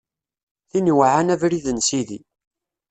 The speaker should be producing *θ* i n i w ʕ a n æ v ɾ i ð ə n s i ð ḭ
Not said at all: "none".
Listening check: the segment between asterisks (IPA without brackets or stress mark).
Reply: θ